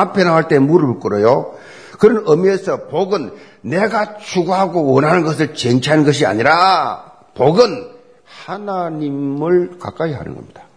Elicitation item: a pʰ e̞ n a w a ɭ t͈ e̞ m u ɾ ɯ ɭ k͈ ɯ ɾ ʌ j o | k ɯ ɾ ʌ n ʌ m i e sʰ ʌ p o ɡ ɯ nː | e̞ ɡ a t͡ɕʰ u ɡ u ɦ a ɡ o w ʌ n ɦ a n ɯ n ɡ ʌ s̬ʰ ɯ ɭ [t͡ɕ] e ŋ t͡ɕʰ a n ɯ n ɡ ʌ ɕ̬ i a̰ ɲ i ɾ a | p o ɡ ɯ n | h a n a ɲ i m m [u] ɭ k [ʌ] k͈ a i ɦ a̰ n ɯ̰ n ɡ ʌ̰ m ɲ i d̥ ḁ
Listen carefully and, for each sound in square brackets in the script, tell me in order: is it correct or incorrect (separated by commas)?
correct, incorrect, incorrect